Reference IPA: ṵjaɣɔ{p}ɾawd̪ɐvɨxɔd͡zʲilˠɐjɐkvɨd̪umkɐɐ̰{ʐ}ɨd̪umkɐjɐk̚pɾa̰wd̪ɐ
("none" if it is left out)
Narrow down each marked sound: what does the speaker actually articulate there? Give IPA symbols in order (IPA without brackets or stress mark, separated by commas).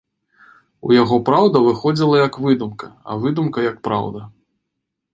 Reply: p, v